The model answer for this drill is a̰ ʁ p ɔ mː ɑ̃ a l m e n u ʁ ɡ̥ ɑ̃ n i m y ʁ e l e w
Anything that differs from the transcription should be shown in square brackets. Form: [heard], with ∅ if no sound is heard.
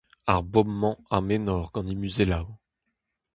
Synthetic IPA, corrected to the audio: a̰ ʁ [b] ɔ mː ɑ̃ a [∅] m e n [ɔ] ʁ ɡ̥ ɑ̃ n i m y [z] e l [a] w